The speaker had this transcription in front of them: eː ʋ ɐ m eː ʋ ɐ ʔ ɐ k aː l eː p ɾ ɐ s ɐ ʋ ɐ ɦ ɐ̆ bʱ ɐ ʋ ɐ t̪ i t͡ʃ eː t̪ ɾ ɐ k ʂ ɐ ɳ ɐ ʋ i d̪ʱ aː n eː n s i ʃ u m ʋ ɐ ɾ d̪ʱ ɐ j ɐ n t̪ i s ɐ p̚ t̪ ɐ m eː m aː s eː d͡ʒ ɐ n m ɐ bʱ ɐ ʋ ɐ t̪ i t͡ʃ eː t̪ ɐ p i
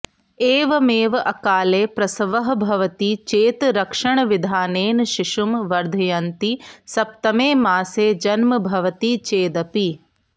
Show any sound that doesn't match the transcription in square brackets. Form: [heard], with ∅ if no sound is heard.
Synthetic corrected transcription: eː ʋ ɐ m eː ʋ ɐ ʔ ɐ k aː l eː p ɾ ɐ s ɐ ʋ ɐ ɦ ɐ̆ bʱ ɐ ʋ ɐ t̪ i t͡ʃ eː t̪ ɾ ɐ k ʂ ɐ ɳ ɐ ʋ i d̪ʱ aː n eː n [ʃ] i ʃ u m ʋ ɐ ɾ d̪ʱ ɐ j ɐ n t̪ i s ɐ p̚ t̪ ɐ m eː m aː s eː d͡ʒ ɐ n m ɐ bʱ ɐ ʋ ɐ t̪ i t͡ʃ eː [d̪] ɐ p i